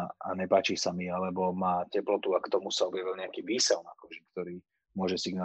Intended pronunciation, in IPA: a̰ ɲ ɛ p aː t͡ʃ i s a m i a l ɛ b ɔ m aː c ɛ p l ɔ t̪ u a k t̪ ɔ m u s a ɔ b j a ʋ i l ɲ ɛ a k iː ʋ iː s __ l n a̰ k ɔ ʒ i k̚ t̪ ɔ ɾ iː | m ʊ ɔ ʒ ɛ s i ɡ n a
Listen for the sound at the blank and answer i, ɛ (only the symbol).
ɛ